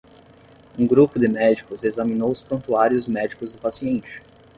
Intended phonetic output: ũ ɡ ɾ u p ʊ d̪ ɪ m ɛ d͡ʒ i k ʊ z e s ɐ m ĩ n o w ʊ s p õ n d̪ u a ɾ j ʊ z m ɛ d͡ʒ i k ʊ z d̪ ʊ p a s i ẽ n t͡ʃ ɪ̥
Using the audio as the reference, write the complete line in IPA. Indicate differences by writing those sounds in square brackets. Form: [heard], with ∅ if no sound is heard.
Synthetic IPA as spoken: ũ ɡ ɾ u p ʊ d̪ ɪ m ɛ d͡ʒ i k ʊ z e [z] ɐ m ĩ n o w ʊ s p õ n [t̪] u a ɾ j ʊ z m ɛ d͡ʒ i k ʊ z d̪ ʊ p a s i ẽ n t͡ʃ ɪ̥

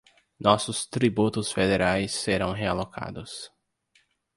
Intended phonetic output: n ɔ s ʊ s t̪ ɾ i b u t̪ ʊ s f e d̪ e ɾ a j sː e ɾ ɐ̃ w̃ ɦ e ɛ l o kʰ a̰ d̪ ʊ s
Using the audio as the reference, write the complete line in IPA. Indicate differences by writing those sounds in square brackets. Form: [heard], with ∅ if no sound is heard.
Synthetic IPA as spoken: n ɔ s ʊ s t̪ ɾ i b u t̪ ʊ s f e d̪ e ɾ a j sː e ɾ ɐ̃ w̃ ɦ e [a] l o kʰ a̰ d̪ ʊ s

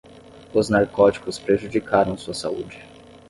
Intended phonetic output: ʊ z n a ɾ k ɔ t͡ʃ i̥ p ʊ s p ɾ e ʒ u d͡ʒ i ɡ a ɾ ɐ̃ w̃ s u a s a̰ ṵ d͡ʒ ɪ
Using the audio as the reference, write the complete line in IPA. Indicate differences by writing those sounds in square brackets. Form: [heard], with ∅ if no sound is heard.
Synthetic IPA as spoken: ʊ z n a ɾ k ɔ t͡ʃ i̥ [k] ʊ s p ɾ e ʒ u d͡ʒ i [k] a ɾ ɐ̃ w̃ s u [ɐ] s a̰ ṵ d͡ʒ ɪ

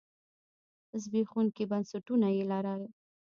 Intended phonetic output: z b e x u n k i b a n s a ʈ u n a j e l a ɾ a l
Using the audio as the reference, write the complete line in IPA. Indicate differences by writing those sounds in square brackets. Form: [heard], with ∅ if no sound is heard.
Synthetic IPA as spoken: z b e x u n k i b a n s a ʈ u n a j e l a ɾ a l

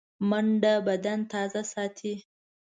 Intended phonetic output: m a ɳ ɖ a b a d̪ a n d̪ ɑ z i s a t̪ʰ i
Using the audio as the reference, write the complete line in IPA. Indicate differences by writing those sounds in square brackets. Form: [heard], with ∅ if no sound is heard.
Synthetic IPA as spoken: m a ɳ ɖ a b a d̪ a n [t̪] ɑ z [a] s [ɑ] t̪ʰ i

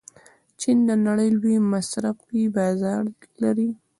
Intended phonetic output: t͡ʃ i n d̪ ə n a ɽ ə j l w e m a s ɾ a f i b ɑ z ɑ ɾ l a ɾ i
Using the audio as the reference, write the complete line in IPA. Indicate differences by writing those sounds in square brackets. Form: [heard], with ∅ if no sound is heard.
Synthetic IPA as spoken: t͡ʃ i n d̪ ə n a ɽ ə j l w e m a s ɾ a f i b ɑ z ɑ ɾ l a ɾ i

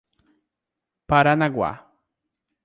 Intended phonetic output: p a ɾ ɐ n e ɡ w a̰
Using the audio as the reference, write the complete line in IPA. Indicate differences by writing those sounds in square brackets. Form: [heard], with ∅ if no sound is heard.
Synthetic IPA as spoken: p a ɾ [a] n [a] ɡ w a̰

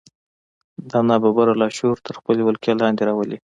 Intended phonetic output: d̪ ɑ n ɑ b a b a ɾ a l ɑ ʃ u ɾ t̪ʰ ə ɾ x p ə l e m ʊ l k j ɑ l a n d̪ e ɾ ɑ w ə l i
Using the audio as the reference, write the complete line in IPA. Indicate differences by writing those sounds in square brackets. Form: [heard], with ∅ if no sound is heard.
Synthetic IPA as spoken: d̪ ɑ n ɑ b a b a ɾ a l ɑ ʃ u ɾ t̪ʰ ə ɾ x p ə l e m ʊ l k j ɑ l [ɑ] n d̪ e ɾ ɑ w ə l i

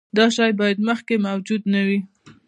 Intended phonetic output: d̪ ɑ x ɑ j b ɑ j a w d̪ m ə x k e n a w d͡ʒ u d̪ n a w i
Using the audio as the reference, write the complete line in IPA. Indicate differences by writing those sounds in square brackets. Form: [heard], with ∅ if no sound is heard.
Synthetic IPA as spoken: d̪ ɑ [ʃ] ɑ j b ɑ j a [∅] d̪ m ə x k e [m] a w d͡ʒ u d̪ n a w i

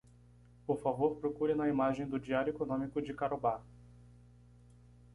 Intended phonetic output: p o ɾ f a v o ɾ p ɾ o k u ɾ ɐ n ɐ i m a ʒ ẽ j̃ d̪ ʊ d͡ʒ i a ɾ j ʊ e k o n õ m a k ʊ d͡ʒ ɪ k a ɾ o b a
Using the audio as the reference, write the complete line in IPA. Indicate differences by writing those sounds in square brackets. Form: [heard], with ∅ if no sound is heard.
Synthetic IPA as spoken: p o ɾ f a v o ɾ p ɾ o k u ɾ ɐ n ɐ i m a ʒ ẽ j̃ d̪ ʊ d͡ʒ i a ɾ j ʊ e k o n õ m [i] k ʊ d͡ʒ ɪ k a ɾ o b a

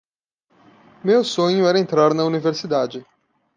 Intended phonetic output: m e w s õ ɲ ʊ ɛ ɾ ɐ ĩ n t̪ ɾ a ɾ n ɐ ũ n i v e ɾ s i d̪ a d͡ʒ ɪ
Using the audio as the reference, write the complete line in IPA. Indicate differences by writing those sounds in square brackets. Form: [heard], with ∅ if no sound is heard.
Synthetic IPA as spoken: m e w s õ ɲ ʊ ɛ ɾ ɐ [ẽ] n t̪ ɾ a ɾ n ɐ [u] n i v e ɾ s i d̪ a d͡ʒ ɪ

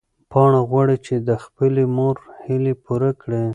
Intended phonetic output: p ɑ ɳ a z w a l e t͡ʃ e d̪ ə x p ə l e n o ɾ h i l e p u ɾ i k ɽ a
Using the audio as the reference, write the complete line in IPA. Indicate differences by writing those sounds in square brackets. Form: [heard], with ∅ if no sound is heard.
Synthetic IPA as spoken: p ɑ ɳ a [ɣ] w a [ɽ] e t͡ʃ e d̪ ə x p ə l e [m] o ɾ h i l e p u ɾ [a] k ɽ [e]

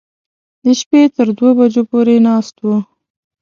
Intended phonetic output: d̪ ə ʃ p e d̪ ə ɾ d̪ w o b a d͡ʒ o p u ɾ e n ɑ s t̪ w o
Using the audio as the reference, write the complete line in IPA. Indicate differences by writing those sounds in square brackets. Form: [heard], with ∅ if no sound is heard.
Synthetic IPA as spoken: d̪ ə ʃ p e [t̪] ə ɾ d̪ w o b a d͡ʒ o p [o] ɾ e n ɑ s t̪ w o

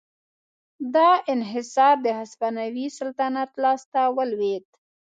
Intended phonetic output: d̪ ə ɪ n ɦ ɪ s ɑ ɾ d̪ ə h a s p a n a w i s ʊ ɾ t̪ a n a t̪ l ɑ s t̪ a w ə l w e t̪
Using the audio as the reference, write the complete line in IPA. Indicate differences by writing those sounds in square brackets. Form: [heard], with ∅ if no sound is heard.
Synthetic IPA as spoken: d̪ [ɑ] ɪ n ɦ ɪ s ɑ ɾ d̪ ə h a s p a n a w i s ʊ [l] t̪ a n a t̪ l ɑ s t̪ a w ə l w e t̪

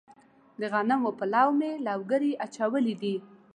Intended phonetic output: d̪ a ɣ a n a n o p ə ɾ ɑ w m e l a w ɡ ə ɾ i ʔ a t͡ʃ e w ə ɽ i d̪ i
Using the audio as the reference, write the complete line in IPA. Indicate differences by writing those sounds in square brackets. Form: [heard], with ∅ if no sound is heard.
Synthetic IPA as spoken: d̪ [ə] ɣ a n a [m] o p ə [l] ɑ w m e l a w ɡ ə ɾ i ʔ a t͡ʃ [a] w ə [l] i d̪ i

